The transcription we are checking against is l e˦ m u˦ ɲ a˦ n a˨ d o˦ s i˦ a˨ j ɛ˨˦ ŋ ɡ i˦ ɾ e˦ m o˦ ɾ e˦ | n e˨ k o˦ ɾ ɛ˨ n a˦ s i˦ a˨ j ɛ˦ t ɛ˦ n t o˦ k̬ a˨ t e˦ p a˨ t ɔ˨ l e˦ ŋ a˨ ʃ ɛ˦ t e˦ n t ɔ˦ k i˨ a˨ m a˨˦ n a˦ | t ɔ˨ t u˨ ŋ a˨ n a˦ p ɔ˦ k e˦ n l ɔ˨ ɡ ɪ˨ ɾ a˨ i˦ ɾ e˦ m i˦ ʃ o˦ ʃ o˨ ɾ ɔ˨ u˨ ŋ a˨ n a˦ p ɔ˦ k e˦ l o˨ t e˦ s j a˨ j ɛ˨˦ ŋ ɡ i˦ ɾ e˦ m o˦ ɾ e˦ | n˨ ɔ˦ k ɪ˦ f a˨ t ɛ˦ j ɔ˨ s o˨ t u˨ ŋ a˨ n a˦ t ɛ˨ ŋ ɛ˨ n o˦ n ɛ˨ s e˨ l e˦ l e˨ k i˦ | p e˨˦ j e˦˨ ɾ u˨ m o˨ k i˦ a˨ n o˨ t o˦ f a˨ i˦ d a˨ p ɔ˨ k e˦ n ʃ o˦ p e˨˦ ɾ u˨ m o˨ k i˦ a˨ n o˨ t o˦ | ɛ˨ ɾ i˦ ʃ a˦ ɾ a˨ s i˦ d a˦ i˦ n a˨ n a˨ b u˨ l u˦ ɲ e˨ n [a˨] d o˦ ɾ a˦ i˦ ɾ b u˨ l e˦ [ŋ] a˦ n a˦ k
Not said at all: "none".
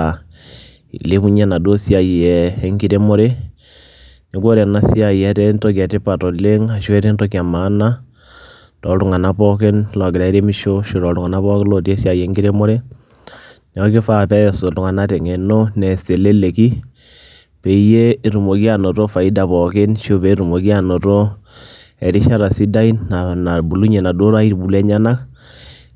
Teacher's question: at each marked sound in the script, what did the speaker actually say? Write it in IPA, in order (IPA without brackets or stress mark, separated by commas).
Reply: a˨, ɲ